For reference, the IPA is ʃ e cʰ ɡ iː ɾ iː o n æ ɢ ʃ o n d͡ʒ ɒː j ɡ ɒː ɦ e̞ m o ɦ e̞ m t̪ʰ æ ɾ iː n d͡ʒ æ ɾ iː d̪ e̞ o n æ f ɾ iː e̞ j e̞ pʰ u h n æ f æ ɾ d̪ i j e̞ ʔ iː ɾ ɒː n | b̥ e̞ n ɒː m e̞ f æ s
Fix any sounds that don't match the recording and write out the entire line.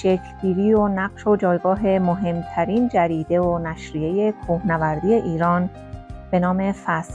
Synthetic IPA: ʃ e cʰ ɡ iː ɾ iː o n æ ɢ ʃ o d͡ʒ ɒː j ɡ ɒː ɦ e̞ m o ɦ e̞ m t̪ʰ æ ɾ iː n d͡ʒ æ ɾ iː d̪ e̞ o n æ ʃ ɾ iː e̞ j e̞ kʰ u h n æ v æ ɾ d̪ i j e̞ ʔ iː ɾ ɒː n | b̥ e̞ n ɒː m e̞ f æ s